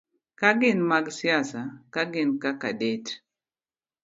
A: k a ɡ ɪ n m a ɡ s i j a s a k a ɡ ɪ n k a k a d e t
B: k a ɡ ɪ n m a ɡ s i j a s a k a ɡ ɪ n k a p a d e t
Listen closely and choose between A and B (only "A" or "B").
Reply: A